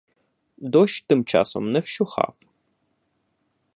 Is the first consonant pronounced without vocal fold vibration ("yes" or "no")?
no